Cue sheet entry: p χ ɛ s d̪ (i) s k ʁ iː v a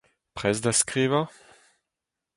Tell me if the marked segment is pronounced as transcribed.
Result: no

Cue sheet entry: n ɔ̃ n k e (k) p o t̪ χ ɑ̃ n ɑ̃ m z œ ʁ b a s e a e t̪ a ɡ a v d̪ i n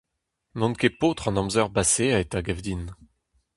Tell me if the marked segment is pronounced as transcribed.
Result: no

